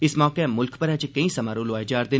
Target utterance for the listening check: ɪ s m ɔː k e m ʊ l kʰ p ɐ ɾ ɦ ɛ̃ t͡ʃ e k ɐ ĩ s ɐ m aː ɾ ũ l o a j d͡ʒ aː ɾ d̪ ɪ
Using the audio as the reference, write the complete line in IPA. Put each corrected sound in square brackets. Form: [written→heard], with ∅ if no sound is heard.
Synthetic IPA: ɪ s m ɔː k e m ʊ l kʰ p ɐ ɾ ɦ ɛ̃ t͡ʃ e k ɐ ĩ s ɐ m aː ɾ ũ l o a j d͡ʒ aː ɾ d̪ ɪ